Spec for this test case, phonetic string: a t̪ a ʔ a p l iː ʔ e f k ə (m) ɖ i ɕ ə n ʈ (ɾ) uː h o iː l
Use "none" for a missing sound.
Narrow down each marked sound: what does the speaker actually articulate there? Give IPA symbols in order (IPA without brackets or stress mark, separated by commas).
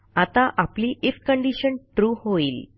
ɳ, ɾ